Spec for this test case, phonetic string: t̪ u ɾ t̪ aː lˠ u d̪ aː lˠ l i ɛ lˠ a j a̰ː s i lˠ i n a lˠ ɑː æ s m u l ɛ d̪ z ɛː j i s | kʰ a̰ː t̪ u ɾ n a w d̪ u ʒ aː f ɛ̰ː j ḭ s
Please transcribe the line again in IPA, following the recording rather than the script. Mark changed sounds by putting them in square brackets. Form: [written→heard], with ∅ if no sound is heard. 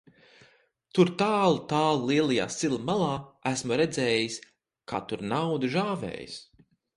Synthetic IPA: t̪ u ɾ t̪ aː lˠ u [d̪→t̪] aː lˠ l i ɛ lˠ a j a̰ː s i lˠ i [n→m] a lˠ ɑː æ s m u [l→ɾ] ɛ d̪ z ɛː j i s | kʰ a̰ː t̪ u ɾ n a w d̪ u ʒ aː [f→v] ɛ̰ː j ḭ s